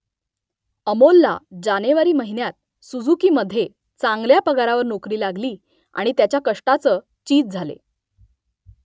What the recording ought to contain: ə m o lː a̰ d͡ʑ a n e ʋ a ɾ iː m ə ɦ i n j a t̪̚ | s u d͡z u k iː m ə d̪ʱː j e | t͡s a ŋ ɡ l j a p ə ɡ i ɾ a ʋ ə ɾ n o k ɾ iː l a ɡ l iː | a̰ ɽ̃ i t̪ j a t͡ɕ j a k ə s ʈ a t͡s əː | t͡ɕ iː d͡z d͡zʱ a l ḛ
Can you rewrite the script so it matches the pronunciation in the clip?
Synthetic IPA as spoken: ə m o lː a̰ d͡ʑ a n e ʋ a ɾ iː m ə ɦ i n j a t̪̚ | s u d͡z u k iː m ə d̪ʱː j e | t͡s a ŋ ɡ l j a p ə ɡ a ɾ a ʋ ə ɾ n o k ɾ iː l a ɡ l iː | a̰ ɽ̃ i t̪ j a t͡ɕ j a k ə ʂ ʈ a t͡s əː | t͡ɕ iː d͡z d͡zʱ a l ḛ